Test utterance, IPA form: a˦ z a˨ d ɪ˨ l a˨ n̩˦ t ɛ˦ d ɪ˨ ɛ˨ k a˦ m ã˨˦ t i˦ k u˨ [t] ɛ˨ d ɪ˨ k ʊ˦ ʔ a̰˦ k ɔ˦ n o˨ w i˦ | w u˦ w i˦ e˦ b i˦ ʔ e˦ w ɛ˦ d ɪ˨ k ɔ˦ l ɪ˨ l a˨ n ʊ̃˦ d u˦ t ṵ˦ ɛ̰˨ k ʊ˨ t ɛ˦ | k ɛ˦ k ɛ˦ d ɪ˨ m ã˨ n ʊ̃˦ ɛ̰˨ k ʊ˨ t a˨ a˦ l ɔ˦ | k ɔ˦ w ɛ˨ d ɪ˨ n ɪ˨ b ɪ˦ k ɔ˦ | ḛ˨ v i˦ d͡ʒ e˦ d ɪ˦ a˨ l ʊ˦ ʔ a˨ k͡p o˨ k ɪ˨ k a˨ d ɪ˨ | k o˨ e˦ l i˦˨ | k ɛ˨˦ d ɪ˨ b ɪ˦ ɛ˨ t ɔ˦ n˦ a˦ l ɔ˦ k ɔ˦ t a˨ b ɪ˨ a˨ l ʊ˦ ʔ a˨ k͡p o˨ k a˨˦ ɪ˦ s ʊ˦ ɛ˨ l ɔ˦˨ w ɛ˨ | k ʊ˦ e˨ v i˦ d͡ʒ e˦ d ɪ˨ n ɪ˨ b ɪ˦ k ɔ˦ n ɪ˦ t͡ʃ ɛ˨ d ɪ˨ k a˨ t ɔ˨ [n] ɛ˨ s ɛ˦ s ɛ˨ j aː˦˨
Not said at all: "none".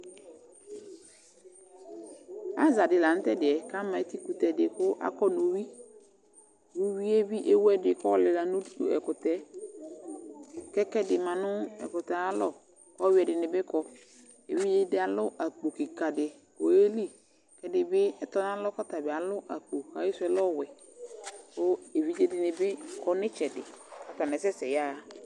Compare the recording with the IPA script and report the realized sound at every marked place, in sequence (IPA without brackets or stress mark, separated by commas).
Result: t, n